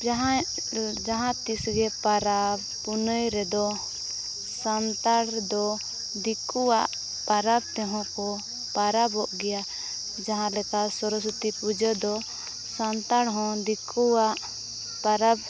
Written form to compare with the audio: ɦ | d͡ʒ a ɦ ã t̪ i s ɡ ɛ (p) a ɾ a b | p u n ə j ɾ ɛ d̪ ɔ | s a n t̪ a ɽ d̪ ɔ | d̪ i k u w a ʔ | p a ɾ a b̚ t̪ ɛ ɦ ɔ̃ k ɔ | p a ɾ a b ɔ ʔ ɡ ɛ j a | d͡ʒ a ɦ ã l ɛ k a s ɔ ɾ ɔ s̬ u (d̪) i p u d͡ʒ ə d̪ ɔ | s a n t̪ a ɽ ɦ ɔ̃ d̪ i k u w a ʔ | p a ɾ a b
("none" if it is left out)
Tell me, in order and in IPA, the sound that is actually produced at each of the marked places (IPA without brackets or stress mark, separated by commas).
p, t̪